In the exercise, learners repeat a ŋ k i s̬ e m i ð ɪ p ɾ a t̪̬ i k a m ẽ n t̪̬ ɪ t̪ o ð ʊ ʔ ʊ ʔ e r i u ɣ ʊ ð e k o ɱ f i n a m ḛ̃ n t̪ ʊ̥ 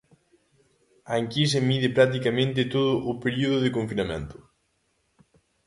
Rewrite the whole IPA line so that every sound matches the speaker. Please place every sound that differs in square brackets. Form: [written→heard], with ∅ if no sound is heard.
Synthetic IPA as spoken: a ŋ k i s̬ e m i ð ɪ p ɾ a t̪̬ i k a m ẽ n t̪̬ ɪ t̪ o ð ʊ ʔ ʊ [ʔ→p] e [r→ɾ] i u [ɣ→ð] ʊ ð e k o ɱ f i n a m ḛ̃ n t̪ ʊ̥